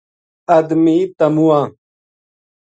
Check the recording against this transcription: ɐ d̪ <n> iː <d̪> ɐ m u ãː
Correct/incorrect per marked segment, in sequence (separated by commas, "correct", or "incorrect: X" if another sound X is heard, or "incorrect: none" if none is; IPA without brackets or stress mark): incorrect: m, incorrect: t̪